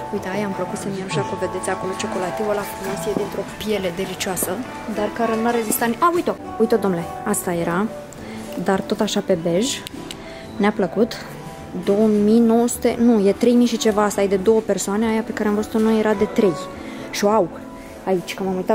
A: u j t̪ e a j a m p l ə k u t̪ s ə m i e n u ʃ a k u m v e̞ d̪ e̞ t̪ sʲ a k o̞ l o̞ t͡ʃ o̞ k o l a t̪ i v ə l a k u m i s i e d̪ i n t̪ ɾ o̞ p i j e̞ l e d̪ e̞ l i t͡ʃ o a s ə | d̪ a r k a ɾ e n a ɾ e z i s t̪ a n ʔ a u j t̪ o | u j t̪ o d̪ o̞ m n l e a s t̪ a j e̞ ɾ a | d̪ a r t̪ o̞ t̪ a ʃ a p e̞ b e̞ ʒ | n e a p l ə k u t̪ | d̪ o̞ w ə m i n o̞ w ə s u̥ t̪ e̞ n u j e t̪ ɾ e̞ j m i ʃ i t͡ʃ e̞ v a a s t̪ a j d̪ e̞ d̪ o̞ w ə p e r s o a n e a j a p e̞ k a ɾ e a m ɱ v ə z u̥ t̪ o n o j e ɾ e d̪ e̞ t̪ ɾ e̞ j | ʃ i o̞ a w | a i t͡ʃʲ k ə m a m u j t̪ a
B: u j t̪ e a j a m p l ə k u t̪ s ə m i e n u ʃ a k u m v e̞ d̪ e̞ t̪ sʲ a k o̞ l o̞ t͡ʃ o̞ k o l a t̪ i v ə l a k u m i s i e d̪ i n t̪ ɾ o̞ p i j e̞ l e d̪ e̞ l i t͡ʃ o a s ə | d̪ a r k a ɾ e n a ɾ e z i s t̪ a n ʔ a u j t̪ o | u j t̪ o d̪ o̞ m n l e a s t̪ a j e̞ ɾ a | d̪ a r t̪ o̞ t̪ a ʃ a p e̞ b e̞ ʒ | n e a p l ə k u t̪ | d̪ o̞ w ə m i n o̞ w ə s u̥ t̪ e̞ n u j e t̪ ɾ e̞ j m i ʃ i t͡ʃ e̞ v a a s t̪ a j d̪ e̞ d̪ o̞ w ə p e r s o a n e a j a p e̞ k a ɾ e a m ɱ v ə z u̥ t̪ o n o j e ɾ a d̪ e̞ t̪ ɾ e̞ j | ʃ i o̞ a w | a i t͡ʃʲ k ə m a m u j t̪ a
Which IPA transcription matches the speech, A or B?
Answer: B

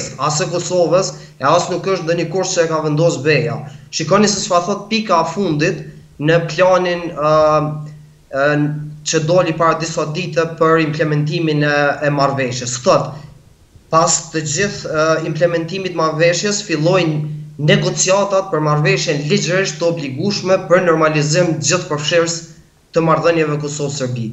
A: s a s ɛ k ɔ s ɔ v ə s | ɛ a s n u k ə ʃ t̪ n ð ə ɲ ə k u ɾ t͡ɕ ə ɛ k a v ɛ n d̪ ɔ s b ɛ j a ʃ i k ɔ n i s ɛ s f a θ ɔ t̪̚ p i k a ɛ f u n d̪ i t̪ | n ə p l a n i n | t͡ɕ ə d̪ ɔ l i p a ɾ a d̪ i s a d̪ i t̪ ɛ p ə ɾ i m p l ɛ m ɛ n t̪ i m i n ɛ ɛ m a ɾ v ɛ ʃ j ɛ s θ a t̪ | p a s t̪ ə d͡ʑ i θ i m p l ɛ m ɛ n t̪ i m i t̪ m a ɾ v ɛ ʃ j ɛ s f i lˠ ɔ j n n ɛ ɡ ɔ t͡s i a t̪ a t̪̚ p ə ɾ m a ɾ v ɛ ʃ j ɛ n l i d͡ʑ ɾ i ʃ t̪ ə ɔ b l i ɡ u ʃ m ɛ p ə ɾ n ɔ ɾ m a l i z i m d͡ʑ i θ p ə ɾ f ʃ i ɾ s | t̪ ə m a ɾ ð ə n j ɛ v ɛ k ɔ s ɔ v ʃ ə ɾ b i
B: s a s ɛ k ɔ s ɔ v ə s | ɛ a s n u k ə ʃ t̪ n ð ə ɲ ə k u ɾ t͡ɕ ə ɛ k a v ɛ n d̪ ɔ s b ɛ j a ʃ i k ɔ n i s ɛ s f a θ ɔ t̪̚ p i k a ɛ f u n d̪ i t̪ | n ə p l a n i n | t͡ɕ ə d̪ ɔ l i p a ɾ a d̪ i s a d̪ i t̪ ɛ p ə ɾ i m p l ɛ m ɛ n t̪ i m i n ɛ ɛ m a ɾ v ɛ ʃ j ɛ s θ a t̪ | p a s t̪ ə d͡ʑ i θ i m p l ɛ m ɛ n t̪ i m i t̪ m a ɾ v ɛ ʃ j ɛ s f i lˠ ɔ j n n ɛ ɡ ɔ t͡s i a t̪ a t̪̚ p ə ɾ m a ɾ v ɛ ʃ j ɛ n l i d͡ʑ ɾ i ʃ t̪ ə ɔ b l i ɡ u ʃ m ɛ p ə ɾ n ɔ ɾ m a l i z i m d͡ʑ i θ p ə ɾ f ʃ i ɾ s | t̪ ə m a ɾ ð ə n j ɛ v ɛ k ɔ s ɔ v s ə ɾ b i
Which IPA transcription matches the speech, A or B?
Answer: B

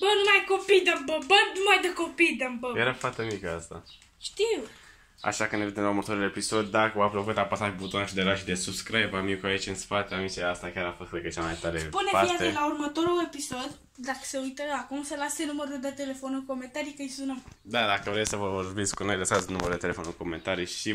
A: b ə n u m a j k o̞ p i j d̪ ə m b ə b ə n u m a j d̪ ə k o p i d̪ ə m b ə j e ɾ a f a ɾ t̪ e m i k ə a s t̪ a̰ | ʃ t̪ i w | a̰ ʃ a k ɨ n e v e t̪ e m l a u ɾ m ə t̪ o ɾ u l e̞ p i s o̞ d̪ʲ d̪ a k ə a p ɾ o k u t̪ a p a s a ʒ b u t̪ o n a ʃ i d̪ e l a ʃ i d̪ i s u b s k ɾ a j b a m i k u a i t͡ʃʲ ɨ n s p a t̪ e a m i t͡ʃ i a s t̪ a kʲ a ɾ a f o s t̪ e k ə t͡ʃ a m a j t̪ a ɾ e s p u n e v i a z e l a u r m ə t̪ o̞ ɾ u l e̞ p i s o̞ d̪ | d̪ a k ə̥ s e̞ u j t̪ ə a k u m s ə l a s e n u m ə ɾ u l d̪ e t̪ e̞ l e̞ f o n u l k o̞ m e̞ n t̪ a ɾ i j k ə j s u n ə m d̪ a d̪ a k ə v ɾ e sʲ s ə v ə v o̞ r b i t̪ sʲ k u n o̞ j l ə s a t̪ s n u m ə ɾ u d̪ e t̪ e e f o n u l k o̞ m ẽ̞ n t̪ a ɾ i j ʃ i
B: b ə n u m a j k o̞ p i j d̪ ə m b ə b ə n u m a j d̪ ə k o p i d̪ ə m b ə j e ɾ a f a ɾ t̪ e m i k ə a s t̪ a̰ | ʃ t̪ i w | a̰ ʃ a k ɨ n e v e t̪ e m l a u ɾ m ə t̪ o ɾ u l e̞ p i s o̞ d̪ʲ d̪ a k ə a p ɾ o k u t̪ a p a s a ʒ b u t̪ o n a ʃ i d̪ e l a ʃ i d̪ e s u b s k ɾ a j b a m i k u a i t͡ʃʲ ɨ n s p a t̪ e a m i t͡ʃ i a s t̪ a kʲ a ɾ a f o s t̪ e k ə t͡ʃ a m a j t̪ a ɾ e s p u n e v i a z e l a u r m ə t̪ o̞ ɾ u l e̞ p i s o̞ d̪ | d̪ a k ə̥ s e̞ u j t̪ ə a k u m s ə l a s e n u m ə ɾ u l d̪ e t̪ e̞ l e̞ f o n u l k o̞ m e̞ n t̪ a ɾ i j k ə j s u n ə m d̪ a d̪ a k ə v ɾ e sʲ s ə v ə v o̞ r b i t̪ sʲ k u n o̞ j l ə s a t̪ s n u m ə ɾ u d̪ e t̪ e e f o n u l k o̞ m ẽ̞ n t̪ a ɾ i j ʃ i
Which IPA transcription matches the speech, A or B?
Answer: B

